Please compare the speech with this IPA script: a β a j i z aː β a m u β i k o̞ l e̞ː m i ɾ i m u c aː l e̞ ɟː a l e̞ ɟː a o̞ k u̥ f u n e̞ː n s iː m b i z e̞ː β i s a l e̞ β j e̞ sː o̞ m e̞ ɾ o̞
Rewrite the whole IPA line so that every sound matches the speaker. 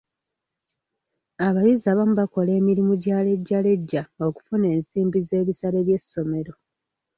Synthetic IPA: a β a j i z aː β a m u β a k o̞ l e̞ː m i ɾ i m u ɟ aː l e̞ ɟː a l e̞ ɟː a o̞ k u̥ f u n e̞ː n s iː m b i z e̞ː β i s a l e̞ β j e̞ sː o̞ m e̞ ɾ o̞